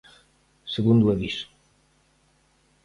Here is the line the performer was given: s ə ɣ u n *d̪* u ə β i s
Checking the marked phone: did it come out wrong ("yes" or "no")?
no